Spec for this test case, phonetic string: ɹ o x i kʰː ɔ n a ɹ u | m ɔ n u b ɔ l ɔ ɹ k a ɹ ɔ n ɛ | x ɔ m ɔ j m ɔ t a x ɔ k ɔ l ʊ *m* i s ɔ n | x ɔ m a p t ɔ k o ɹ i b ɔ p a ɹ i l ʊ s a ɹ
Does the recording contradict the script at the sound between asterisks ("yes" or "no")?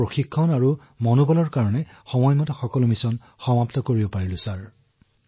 no